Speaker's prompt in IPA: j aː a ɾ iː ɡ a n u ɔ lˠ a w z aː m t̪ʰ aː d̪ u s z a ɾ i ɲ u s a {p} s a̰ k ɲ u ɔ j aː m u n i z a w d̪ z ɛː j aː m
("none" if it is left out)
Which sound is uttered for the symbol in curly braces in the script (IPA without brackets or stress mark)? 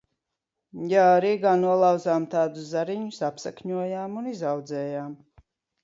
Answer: p